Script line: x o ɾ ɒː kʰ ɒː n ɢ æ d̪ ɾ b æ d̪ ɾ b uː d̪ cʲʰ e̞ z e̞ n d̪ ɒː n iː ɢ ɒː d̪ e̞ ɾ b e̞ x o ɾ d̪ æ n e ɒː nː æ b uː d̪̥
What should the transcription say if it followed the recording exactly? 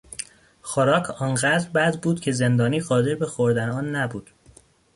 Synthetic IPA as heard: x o ɾ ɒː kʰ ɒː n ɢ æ d̪ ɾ b æ d̪ ɾ b uː d̪ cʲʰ e̞ z e̞ n d̪ ɒː n iː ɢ ɒː d̪ e̞ ɾ b e̞ x o ɾ d̪ æ n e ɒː nː æ b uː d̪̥